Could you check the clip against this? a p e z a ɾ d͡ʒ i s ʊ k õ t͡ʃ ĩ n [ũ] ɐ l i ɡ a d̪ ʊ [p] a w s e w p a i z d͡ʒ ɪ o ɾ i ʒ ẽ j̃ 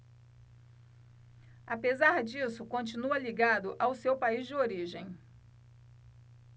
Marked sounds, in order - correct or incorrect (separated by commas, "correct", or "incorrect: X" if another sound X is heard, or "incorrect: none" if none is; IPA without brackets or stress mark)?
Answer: incorrect: u, incorrect: ʔ